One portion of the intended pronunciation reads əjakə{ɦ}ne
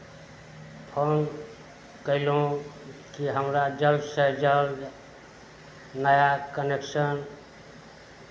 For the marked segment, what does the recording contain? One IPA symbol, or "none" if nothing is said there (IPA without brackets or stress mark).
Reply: none